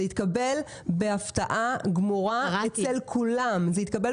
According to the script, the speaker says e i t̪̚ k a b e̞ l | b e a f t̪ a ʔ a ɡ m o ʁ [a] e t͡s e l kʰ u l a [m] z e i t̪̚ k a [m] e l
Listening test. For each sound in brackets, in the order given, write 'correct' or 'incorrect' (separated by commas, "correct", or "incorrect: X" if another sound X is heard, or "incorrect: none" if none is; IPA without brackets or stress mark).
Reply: correct, correct, incorrect: b